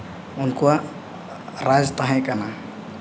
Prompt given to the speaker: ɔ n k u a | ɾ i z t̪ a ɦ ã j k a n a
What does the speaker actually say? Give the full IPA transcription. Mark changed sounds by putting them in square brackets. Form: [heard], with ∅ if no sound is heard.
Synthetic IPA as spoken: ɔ n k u a | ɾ [a] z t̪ a ɦ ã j k a n a